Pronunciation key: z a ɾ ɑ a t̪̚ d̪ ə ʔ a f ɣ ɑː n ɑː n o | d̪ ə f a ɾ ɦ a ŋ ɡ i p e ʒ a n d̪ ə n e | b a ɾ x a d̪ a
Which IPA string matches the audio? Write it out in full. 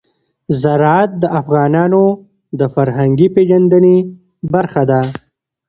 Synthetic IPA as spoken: z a ɾ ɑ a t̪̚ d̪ ə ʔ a f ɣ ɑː n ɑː n o | d̪ ə f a ɾ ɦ a ŋ ɡ i p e ʒ a n d̪ ə n e | b a ɾ x a d̪ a